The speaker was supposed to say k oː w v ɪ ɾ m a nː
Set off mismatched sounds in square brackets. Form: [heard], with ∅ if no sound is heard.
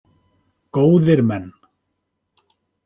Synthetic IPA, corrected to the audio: k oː w [ð] ɪ ɾ m [ɛ] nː